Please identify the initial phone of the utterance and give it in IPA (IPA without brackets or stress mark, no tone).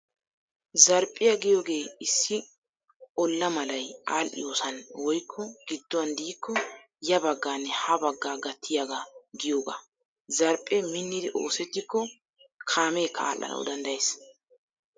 z